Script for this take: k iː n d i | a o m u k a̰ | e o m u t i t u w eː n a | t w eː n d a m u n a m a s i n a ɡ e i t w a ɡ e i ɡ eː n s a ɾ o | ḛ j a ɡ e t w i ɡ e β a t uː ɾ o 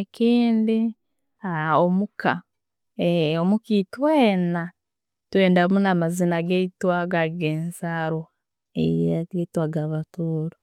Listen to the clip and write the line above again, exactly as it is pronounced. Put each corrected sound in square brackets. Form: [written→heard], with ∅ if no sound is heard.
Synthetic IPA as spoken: k iː n d i | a o m u k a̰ | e o m u [t→k] i t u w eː n a | t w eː n d a m u n a m a [s→z] i n a ɡ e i t w a ɡ [e→a] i ɡ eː n s a ɾ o | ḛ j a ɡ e t w [i→a] ɡ [e→a] β a t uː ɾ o

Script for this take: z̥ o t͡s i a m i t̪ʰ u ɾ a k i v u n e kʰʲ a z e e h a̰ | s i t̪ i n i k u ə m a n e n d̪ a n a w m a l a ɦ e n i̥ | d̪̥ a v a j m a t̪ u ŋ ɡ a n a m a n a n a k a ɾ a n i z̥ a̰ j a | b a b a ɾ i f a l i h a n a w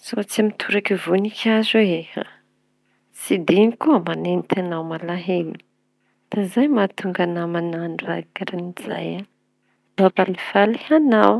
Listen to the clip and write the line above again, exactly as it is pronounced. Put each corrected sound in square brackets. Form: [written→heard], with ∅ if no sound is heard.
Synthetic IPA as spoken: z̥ o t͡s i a m i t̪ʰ u ɾ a k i v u n [e→i] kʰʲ a z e e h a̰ | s i [t̪→d̪] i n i k u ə m a n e n [d̪→t̪] a n a w m a l a ɦ e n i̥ | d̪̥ a [v→z] a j m a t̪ u ŋ ɡ a n a m a n a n a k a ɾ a n i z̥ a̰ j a | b a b a [ɾ→l] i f a l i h a n a w

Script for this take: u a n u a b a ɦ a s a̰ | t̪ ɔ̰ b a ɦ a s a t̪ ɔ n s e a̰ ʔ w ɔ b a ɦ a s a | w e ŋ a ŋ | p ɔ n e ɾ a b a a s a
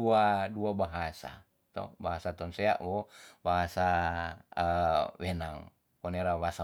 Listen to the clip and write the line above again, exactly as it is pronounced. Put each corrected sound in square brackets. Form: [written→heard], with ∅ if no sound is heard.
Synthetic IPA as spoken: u a [n→d] u a b a ɦ a s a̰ | t̪ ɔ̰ b a ɦ a s a t̪ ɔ n s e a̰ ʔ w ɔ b a ɦ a s a | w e [ŋ→n] a ŋ | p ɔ n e ɾ a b a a s a

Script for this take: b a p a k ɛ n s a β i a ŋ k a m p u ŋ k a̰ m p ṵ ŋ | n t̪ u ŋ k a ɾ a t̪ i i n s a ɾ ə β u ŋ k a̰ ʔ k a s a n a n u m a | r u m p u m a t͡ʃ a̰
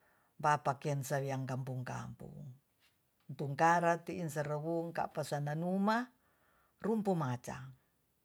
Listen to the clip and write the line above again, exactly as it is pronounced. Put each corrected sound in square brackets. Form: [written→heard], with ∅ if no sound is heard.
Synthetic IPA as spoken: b a p a k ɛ n s a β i a ŋ k a m p u ŋ k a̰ m p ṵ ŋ | n t̪ u ŋ k a ɾ a t̪ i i n s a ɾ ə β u ŋ k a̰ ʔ [k→p] a s a n a n u m a | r u m p u m a t͡ʃ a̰

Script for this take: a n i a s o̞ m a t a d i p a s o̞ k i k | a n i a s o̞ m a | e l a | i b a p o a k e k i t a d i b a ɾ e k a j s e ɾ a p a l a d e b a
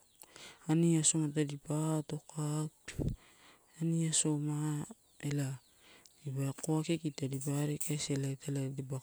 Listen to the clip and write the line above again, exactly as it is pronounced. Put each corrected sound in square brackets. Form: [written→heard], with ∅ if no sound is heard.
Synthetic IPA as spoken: a n i a s o̞ m a t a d i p a [s→t] o̞ k [i→a] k | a n i a s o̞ m a | e l a | i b a [p→k] o a k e k i t a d i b a ɾ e k a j s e [ɾ→l] a [p→t] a l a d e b a

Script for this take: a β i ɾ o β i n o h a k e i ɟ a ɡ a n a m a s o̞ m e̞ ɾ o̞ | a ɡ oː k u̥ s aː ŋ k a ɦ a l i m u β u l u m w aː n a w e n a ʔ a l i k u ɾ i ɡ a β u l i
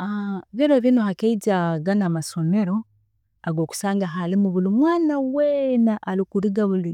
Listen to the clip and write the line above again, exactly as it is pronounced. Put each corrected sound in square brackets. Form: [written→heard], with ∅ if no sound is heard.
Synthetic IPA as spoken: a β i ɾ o β i n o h a k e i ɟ a ɡ a n a m a s o̞ m e̞ ɾ o̞ | a ɡ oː k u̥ s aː ŋ [k→ɡ] a ɦ a l i m u β u l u m w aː n a w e n a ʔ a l i k u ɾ i ɡ a β u l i

